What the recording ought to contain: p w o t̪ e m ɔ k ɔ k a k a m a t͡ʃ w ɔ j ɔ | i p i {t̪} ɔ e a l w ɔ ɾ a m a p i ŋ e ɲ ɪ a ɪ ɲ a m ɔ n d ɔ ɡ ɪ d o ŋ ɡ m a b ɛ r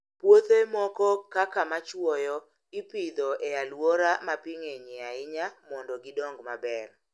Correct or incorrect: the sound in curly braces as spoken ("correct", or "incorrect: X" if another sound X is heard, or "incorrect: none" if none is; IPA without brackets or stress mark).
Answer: incorrect: d̪